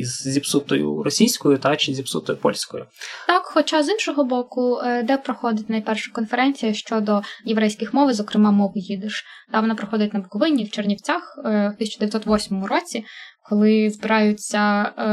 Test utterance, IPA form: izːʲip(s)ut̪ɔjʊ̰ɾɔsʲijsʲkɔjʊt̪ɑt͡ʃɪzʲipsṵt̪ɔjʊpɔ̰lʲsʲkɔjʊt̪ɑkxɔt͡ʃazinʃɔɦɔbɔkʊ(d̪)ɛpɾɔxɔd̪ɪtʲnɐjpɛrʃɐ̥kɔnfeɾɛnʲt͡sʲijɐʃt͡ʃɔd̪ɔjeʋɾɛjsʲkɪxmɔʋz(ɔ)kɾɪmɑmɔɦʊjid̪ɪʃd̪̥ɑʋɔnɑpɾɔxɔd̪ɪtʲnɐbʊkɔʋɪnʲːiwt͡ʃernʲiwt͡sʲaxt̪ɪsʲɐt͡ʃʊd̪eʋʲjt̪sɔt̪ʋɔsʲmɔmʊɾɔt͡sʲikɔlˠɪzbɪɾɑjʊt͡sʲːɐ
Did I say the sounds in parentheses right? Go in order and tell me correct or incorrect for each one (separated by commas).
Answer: correct, correct, correct